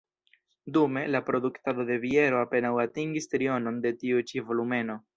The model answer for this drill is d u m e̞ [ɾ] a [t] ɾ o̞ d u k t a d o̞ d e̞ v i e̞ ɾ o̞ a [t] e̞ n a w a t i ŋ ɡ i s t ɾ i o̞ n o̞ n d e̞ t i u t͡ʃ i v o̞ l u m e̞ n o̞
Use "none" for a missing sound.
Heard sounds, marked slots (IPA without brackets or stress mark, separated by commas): l, p, p